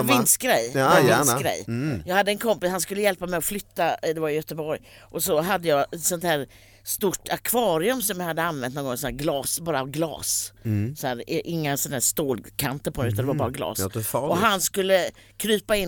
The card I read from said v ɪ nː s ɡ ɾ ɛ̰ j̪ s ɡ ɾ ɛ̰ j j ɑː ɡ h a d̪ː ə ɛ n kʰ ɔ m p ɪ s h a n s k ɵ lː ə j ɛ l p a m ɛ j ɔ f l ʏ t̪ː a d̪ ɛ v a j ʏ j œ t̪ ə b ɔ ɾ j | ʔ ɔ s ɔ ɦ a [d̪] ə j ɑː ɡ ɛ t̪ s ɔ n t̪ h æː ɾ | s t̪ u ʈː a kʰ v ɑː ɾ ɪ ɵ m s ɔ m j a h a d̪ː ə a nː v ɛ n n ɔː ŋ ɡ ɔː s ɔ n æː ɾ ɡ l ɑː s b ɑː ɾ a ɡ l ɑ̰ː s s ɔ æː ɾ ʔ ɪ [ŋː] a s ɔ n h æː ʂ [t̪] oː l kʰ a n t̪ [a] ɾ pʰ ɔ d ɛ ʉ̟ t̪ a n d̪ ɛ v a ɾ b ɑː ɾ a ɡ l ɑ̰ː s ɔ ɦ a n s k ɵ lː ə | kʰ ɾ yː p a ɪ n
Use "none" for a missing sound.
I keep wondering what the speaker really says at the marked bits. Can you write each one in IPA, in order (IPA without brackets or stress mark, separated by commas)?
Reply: d̪ː, ŋː, t̪, ə